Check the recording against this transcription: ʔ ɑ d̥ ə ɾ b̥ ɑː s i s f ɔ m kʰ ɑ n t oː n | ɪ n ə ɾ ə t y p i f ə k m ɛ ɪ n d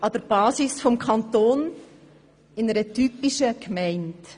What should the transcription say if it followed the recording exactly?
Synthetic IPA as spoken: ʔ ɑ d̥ ə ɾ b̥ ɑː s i s f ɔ m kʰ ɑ n t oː n | ɪ n ə ɾ ə t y p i ʃ ə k m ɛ ɪ n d